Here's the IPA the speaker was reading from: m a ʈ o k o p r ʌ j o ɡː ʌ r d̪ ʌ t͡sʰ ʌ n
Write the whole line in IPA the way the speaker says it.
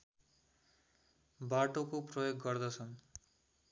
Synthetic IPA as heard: b a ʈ o k o p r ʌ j o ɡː ʌ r d̪ ʌ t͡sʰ ʌ n